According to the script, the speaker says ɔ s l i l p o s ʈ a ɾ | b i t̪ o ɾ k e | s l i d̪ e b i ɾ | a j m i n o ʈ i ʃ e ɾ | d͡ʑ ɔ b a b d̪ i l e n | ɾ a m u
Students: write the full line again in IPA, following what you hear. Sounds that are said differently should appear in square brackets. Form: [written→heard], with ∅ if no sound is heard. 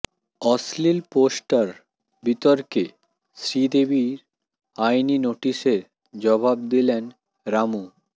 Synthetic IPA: ɔ s l i l p o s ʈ a ɾ | b i t̪ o ɾ k e | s [l→ɾ] i d̪ e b i ɾ | a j [m→n] i n o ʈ i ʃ e ɾ | d͡ʑ ɔ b a b d̪ i l e n | ɾ a m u